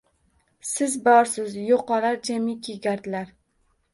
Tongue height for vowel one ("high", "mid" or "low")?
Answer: high